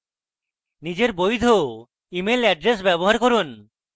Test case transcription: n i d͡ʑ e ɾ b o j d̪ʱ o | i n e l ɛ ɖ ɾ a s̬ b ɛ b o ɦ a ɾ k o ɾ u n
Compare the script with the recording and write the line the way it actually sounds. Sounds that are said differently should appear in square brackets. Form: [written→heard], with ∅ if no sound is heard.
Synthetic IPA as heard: n i d͡ʑ e ɾ b o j d̪ʱ o | i [n→m] e l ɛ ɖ ɾ [a→e] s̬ b ɛ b o ɦ a ɾ k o ɾ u n